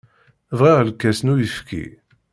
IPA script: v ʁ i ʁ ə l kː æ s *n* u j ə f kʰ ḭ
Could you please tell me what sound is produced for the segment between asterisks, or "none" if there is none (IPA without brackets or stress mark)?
n